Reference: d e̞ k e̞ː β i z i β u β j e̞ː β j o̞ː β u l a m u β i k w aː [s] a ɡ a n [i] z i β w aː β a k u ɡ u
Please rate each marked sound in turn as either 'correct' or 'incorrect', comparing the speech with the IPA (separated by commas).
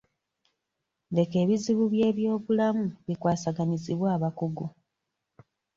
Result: correct, correct